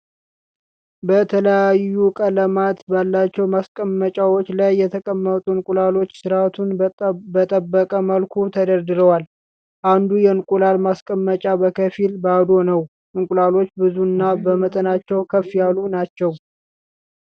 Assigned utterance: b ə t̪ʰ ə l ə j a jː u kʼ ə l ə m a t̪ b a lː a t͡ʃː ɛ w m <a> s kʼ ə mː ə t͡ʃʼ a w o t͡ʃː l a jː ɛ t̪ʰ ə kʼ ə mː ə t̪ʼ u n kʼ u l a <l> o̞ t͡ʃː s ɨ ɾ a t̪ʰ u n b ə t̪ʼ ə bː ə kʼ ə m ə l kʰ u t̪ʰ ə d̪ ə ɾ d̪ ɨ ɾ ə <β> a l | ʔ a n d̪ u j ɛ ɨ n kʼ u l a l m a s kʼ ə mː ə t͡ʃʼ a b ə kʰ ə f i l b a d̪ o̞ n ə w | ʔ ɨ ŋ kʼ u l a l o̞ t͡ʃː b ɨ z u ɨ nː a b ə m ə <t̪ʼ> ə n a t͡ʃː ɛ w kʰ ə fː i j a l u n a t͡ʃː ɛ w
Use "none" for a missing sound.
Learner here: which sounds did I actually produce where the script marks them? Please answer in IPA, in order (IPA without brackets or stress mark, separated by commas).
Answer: a, l, w, t̪ʼ